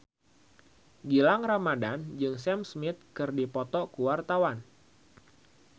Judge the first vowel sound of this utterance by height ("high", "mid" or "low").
high